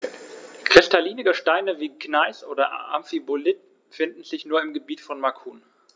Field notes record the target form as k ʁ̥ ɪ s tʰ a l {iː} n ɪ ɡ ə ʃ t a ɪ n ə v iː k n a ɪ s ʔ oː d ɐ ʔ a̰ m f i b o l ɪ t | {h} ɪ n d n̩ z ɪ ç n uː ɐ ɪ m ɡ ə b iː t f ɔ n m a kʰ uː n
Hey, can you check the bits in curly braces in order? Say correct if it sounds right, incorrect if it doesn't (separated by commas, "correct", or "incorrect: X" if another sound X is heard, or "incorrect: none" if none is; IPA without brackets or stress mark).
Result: correct, incorrect: f